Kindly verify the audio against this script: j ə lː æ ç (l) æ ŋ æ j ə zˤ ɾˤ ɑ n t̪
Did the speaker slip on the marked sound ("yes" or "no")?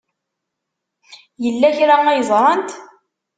yes